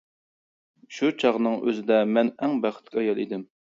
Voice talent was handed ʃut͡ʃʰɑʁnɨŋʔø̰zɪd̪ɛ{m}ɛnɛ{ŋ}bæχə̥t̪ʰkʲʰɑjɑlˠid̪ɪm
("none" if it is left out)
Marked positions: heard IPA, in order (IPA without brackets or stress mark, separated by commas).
m, ŋ